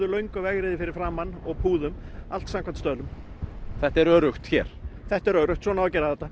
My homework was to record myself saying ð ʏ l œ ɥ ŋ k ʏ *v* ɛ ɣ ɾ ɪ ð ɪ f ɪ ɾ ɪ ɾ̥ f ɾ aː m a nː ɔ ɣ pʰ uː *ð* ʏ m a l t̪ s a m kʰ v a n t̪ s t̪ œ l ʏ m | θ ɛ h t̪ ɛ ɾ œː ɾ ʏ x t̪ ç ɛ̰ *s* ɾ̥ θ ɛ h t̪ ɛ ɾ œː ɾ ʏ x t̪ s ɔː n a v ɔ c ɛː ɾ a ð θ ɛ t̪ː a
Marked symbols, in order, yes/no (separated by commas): yes, yes, no